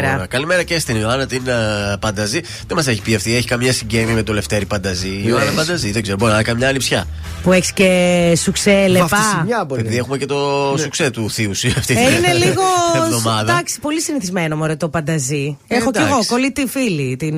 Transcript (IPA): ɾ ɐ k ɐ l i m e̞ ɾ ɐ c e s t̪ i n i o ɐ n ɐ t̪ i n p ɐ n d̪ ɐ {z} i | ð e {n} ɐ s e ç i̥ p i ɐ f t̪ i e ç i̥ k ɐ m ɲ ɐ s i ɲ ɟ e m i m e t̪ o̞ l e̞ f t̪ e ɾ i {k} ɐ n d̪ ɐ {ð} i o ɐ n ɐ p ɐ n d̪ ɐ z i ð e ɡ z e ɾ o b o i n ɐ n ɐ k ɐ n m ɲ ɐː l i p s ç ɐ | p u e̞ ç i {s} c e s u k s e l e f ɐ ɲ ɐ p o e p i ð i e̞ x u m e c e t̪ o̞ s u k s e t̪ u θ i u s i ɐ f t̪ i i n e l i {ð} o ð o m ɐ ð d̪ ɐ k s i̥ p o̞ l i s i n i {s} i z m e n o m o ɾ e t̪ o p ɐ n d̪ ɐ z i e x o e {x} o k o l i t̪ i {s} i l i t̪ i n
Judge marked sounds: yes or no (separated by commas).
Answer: yes, no, no, no, yes, no, no, no, no